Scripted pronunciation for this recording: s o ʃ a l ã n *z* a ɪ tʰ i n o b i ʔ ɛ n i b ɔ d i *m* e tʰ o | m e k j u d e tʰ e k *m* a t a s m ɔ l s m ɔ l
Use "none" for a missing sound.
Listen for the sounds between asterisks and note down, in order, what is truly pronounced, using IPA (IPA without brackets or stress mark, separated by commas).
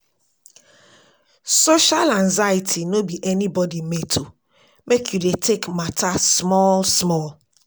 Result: z, m, m